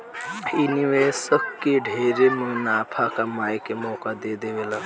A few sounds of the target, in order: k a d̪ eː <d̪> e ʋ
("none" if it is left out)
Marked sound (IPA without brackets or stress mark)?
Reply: d̪